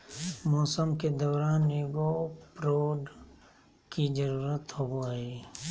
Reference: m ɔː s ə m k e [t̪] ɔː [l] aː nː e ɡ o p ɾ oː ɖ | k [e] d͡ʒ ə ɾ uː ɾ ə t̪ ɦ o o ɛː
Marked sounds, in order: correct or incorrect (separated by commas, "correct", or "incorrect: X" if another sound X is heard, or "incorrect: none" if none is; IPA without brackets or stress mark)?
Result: incorrect: d̪, incorrect: ɾ, incorrect: i